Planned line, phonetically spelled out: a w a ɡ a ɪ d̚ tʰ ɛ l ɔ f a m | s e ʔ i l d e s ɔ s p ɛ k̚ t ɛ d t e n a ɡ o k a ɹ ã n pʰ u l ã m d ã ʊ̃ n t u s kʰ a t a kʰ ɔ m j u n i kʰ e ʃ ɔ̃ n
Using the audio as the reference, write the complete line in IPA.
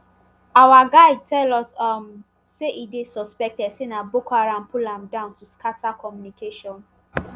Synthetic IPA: a w a ɡ a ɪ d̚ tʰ ɛ l ɔ s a m | s e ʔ i d e s ɔ s p ɛ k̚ t ɛ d s e n a b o k a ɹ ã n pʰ u l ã m d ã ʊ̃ n t u s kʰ a t a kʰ ɔ m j u n i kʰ e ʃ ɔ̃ n